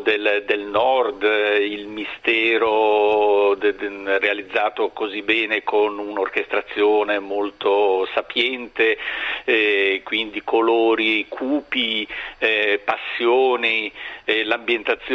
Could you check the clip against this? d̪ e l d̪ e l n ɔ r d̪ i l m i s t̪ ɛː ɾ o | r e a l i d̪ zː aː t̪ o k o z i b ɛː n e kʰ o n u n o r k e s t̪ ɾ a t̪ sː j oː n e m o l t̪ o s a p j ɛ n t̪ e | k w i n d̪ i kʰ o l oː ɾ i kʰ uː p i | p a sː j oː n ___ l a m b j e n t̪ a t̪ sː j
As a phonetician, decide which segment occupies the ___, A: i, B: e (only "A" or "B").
A